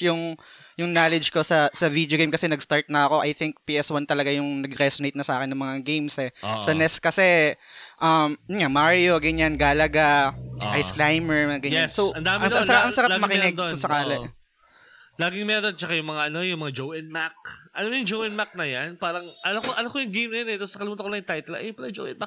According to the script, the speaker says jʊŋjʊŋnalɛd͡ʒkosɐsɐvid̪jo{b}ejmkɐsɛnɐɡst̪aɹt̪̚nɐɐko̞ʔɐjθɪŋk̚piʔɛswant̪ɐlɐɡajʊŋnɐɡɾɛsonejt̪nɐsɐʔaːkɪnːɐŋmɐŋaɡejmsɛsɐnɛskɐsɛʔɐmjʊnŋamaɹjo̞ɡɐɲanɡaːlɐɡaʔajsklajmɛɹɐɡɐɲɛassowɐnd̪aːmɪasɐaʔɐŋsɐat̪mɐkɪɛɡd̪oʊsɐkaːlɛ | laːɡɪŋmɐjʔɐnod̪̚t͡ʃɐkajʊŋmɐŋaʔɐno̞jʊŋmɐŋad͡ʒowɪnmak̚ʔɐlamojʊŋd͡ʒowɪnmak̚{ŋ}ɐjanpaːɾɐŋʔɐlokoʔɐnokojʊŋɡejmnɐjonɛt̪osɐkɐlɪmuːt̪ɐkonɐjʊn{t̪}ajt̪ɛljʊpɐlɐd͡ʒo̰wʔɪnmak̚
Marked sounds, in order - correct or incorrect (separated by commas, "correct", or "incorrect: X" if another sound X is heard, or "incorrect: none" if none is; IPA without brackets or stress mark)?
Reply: incorrect: ɡ, incorrect: n, correct